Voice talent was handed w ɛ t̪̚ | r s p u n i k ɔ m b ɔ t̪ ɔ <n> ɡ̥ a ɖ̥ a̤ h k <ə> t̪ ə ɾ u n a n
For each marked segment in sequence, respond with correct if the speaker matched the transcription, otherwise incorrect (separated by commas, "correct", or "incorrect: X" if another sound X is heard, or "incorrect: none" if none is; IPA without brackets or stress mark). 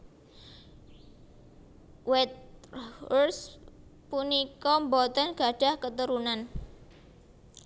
correct, correct